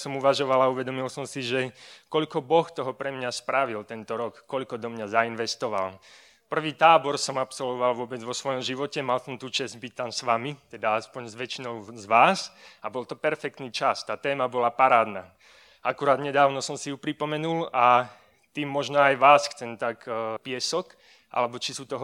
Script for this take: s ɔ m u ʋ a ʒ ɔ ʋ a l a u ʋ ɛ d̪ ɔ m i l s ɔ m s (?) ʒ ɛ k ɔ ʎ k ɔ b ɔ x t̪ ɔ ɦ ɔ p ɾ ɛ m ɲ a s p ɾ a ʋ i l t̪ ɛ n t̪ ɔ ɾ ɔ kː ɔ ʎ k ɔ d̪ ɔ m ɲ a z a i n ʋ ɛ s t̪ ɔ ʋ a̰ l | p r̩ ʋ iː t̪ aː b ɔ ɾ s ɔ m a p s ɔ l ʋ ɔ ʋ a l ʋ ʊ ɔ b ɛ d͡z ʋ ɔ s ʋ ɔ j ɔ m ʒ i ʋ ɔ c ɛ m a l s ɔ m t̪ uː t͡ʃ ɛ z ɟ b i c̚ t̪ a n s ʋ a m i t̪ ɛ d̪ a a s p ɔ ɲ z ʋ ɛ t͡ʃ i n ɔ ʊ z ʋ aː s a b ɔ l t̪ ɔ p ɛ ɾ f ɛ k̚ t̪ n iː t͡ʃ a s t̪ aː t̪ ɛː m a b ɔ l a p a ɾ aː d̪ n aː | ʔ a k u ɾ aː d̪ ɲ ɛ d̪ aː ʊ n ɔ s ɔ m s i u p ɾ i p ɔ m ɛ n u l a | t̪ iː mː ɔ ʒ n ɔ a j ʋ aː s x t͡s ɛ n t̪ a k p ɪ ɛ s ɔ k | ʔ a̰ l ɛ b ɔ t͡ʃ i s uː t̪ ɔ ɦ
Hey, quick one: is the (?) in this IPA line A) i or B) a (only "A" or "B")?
A